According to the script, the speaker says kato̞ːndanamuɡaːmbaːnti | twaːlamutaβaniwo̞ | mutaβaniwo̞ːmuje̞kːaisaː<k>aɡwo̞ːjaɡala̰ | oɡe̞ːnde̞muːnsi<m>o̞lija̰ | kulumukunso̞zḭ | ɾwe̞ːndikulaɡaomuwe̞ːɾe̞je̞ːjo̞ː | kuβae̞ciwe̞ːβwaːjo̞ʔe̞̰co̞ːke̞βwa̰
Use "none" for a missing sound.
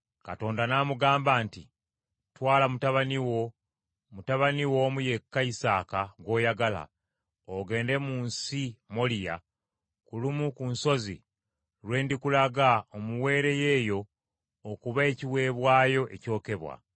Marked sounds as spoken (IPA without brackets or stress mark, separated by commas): k, m